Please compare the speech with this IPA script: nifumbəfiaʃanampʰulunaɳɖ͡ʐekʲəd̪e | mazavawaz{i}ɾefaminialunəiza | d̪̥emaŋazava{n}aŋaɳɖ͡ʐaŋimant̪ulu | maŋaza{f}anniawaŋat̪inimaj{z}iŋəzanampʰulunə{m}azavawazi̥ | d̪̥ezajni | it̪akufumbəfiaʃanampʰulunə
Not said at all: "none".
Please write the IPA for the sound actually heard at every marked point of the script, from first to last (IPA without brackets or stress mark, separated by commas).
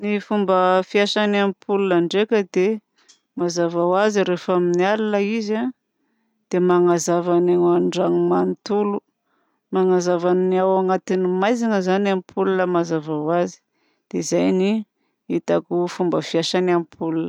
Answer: i, n, v, z, m